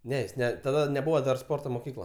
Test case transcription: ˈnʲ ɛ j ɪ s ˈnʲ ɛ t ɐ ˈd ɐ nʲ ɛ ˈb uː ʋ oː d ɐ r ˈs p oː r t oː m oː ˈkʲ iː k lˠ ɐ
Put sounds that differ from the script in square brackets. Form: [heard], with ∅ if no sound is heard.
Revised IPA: ˈnʲ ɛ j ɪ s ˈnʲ ɛ t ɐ ˈd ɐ nʲ ɛ ˈb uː ʋ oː d ɐ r ˈs p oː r t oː m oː ˈkʲ iː k lˠ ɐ

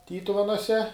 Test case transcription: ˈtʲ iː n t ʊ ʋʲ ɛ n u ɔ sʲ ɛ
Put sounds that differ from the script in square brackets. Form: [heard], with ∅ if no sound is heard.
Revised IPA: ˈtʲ iː [∅] t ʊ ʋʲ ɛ n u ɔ sʲ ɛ

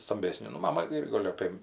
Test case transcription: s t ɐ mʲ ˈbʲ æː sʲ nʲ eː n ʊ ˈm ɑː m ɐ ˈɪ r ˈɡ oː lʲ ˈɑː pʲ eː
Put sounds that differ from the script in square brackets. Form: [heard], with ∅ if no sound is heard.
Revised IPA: s t ɐ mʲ ˈbʲ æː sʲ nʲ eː n ʊ ˈm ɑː m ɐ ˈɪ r ˈɡ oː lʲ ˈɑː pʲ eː

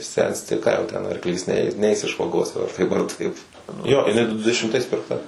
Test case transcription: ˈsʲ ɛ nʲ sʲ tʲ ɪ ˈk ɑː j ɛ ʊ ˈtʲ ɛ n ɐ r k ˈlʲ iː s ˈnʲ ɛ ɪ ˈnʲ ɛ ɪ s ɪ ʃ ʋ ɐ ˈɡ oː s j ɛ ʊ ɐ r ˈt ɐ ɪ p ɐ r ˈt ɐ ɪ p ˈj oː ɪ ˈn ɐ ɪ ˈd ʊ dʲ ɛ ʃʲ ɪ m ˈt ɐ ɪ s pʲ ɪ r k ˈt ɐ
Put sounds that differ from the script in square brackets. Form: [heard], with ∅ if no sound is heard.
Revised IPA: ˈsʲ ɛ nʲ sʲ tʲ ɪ ˈk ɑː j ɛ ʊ ˈtʲ ɛ n ɐ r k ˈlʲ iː s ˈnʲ ɛ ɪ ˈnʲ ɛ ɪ s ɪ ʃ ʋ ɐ ˈɡ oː s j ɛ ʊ ɐ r ˈt ɐ ɪ p ɐ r ˈt ɐ ɪ p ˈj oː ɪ ˈn ɐ ɪ ˈd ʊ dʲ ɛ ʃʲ ɪ m ˈt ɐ ɪ s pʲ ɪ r k ˈt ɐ

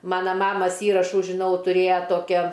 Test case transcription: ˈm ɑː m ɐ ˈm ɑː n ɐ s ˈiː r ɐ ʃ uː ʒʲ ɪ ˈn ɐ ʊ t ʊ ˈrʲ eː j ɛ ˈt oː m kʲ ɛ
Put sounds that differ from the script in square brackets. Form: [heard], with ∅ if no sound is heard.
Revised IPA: ˈm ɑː [n] ɐ ˈm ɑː [m] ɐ s ˈiː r ɐ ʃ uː ʒʲ ɪ ˈn ɐ ʊ t ʊ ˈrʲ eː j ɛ ˈt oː [∅] kʲ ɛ

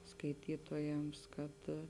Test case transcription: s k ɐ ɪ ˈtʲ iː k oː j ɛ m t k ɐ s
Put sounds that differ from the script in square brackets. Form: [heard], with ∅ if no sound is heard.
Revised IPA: s k ɐ ɪ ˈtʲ iː [t] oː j ɛ m [s] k ɐ [t]

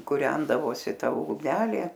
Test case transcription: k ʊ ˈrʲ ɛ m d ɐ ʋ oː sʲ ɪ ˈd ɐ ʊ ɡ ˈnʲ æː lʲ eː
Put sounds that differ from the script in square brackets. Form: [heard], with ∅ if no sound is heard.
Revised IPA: k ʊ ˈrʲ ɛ [n] d ɐ ʋ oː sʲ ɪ [ˈt] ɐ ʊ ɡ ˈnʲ æː lʲ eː

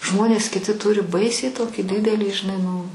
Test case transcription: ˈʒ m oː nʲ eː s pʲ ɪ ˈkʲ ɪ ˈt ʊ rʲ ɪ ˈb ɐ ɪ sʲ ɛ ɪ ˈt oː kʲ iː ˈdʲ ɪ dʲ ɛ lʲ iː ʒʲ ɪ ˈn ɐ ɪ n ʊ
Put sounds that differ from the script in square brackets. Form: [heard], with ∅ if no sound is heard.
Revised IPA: ˈʒ m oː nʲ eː s [kʲ] ɪ [ˈtʲ] ɪ ˈt ʊ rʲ ɪ ˈb ɐ ɪ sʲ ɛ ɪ ˈt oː kʲ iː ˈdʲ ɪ dʲ ɛ lʲ iː ʒʲ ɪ ˈn ɐ ɪ n ʊ

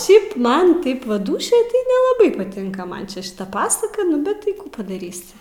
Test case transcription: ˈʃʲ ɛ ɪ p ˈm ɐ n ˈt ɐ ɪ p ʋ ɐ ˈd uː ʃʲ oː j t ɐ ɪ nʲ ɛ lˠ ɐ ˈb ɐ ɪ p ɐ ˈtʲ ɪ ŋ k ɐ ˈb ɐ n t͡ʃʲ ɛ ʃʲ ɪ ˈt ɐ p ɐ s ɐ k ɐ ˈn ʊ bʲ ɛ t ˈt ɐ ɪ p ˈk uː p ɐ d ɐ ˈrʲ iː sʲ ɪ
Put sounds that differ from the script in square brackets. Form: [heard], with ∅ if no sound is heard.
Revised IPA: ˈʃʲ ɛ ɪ p ˈm ɐ n ˈt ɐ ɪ p ʋ ɐ ˈd uː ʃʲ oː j t ɐ ɪ nʲ ɛ lˠ ɐ ˈb ɐ ɪ p ɐ ˈtʲ ɪ ŋ k ɐ [ˈm] ɐ n t͡ʃʲ ɛ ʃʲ ɪ ˈt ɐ p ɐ s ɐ k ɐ ˈn ʊ bʲ ɛ t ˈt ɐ ɪ [∅] ˈk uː p ɐ d ɐ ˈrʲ iː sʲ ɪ

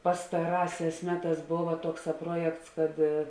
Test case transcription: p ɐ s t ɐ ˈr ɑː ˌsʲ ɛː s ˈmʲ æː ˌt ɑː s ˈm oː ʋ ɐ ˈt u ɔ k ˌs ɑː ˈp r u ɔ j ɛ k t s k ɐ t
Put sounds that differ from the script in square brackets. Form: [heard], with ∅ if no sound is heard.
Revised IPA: p ɐ s t ɐ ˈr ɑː ˌsʲ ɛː s ˈmʲ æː ˌt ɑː s [ˈb] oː ʋ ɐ ˈt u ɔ k ˌs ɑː ˈp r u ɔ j ɛ k t s k ɐ t

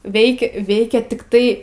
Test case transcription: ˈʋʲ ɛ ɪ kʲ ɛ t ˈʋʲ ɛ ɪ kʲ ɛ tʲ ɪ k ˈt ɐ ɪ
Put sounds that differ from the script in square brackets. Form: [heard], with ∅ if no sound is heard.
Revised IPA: ˈʋʲ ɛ ɪ kʲ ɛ [∅] ˈʋʲ ɛ ɪ kʲ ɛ tʲ ɪ k ˈt ɐ ɪ

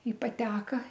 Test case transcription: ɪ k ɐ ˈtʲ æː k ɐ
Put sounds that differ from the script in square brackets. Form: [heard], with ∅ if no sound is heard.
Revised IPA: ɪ [p] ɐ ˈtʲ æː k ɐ

